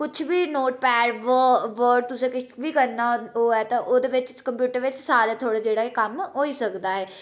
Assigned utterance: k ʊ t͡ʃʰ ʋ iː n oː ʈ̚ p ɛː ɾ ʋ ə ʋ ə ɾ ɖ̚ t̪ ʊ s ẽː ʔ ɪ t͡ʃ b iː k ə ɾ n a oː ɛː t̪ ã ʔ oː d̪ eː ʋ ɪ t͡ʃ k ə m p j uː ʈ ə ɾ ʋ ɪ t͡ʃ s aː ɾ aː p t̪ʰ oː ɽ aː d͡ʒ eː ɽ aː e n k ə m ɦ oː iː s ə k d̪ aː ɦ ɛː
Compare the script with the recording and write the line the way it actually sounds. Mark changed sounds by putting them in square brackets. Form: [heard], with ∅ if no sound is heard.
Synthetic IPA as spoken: k ʊ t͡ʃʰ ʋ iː n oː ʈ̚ p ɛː ɾ ʋ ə ʋ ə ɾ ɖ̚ t̪ ʊ s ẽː [k] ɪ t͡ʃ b iː k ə ɾ n a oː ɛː t̪ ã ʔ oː d̪ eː ʋ ɪ t͡ʃ k ə m p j uː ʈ ə ɾ ʋ ɪ t͡ʃ s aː ɾ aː [∅] t̪ʰ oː ɽ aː d͡ʒ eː ɽ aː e [∅] k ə m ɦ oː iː s ə k d̪ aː ɦ ɛː